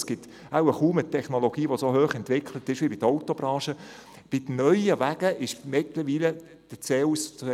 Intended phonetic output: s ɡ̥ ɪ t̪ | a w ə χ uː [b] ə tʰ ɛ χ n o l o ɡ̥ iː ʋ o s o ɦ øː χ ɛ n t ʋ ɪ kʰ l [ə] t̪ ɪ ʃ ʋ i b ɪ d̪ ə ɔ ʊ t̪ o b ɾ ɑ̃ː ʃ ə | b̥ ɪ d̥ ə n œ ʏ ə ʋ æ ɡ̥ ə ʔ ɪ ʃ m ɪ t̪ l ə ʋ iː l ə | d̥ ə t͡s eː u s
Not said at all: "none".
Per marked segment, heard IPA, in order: m, ə

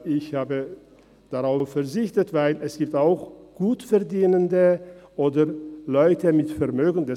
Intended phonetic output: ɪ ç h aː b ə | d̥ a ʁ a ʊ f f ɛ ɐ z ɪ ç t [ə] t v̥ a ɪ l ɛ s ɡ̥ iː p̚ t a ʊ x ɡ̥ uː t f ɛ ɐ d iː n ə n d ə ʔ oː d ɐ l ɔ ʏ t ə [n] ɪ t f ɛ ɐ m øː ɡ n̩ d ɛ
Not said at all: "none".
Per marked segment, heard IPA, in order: ə, m

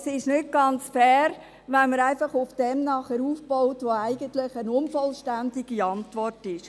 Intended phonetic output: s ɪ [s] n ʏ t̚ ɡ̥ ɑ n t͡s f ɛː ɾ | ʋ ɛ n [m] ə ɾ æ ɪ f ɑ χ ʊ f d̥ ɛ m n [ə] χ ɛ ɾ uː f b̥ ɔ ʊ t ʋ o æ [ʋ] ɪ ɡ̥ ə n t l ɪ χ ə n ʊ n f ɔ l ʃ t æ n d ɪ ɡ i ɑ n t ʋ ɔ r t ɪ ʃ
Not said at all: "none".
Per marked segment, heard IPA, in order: ʃ, m, ɑ, none

